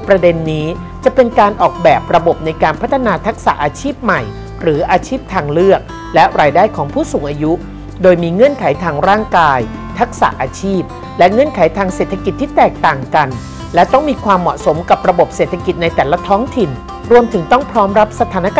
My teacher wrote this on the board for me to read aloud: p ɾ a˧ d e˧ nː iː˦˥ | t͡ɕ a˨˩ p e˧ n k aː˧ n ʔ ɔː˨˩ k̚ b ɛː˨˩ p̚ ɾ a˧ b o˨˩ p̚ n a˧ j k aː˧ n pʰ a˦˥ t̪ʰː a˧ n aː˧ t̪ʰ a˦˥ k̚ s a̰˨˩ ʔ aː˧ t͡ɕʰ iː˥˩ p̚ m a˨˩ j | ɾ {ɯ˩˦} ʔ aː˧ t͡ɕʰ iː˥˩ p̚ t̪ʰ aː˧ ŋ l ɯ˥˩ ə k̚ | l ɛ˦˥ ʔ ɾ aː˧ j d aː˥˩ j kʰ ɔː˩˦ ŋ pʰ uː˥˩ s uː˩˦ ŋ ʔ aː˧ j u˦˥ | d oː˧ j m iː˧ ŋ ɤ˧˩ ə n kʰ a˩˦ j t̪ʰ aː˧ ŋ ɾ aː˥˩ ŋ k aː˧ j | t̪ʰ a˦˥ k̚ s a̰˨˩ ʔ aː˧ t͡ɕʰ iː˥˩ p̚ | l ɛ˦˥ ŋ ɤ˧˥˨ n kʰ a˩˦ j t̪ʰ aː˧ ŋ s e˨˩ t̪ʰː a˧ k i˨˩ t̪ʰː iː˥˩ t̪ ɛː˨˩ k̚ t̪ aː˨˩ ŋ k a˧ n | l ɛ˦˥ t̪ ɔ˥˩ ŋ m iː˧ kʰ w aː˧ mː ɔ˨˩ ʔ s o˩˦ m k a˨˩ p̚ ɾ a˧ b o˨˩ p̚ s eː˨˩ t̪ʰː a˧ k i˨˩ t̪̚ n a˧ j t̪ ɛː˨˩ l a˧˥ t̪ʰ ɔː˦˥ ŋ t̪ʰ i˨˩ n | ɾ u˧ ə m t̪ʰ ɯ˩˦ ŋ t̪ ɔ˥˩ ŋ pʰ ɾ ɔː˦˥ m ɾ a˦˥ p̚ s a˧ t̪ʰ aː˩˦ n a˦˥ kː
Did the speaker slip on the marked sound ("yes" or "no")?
yes